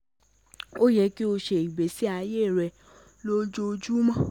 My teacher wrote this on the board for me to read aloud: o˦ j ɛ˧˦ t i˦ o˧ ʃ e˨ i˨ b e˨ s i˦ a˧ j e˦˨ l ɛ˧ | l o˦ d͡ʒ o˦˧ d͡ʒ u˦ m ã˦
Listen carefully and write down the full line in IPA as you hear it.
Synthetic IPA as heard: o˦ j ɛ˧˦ k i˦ o˧ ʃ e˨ i˨ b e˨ s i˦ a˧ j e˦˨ ɾ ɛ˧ | l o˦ d͡ʒ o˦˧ d͡ʒ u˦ m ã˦